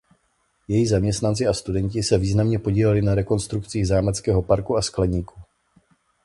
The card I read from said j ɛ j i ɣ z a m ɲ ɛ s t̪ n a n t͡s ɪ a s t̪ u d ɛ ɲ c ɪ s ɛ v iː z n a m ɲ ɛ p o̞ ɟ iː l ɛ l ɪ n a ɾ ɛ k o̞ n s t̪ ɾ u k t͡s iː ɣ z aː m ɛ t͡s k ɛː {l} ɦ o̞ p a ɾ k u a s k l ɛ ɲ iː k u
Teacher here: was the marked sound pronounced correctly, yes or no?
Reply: no